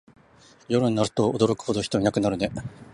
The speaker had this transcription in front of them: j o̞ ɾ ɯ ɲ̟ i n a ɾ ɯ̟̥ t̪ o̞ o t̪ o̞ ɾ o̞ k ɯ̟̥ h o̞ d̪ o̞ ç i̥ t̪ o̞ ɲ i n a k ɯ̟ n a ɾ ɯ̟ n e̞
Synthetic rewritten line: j o̞ ɾ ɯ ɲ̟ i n a ɾ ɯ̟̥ t̪ o̞ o d̪ o̞ ɾ o̞ k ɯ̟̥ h o̞ d̪ o̞ ç i̥ t̪ o̞ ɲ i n a k ɯ̟ n a ɾ ɯ̟ n e̞